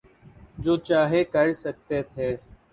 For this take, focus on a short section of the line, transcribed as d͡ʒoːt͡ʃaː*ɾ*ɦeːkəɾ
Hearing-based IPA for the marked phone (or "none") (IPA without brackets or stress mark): none